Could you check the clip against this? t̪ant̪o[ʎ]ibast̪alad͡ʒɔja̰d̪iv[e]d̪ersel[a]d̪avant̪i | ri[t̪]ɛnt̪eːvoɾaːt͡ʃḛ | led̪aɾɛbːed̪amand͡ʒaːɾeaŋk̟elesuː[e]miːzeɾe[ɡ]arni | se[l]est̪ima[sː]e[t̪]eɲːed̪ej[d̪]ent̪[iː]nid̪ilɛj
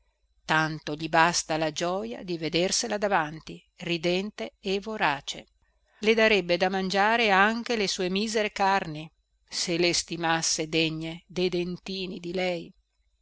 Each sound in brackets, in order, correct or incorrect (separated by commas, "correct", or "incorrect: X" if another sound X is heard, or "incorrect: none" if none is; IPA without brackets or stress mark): correct, correct, correct, incorrect: d̪, correct, incorrect: k, correct, correct, incorrect: d̪, correct, correct